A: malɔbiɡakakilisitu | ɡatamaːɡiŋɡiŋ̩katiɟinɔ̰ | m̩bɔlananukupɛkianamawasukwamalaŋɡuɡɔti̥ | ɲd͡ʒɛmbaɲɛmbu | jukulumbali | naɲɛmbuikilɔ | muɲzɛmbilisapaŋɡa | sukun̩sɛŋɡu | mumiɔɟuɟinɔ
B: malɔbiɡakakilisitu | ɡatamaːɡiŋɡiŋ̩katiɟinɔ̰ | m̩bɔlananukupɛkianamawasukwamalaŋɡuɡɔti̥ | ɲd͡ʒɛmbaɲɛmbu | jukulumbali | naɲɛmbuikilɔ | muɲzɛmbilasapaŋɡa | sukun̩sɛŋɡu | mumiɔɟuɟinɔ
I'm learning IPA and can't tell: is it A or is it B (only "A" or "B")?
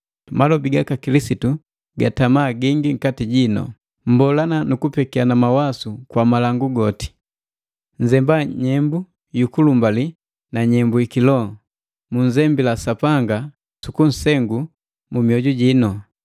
B